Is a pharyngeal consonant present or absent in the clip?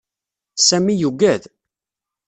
absent